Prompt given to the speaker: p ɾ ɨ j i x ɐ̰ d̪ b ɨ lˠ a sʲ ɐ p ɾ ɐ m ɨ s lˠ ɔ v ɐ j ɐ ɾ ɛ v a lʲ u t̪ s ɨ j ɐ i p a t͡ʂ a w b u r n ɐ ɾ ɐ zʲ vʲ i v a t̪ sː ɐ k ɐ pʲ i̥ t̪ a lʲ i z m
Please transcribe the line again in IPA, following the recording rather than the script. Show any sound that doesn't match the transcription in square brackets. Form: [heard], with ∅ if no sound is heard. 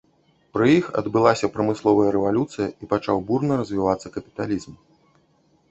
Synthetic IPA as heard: p ɾ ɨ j i x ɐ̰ d̪ b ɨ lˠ a sʲ ɐ p ɾ ɐ m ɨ s lˠ ɔ v ɐ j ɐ ɾ ɛ v a lʲ u t̪ s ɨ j ɐ i p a t͡ʂ a w b u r n ɐ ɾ ɐ zʲ vʲ i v a t̪ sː ɐ k ɐ pʲ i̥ t̪ a lʲ i z m